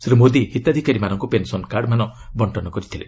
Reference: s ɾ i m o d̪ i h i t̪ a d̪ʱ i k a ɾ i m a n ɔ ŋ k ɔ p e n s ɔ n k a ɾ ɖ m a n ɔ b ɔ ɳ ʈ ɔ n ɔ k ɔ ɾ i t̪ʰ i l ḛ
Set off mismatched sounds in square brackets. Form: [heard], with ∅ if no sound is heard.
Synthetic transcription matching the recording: s ɾ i m o d̪ i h i t̪ a d̪ʱ i k a ɾ i m a n ɔ ŋ k [u] p e n s ɔ n k a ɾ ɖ m a n ɔ b ɔ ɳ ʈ ɔ n ɔ k ɔ ɾ i t̪ʰ i l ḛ